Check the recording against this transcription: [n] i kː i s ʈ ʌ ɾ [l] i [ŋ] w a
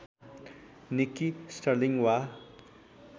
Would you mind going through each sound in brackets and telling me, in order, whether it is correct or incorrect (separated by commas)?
correct, correct, correct